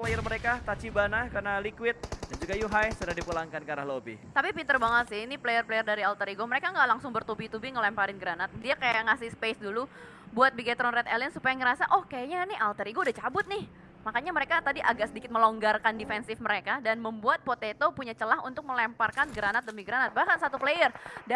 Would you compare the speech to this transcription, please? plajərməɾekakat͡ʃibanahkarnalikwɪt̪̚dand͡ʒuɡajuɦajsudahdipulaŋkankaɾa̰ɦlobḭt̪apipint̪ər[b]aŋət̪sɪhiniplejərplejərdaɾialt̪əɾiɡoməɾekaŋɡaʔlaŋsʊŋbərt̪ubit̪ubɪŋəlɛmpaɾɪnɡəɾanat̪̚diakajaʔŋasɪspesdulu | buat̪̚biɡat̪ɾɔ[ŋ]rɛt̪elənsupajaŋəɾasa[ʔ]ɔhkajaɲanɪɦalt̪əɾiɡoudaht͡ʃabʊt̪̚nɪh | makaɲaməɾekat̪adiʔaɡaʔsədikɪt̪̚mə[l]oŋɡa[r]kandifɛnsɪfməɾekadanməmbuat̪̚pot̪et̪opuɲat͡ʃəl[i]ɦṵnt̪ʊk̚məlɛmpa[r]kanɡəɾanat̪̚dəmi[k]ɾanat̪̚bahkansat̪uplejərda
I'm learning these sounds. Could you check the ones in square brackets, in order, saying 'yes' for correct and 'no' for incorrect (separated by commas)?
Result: yes, no, yes, yes, yes, no, yes, no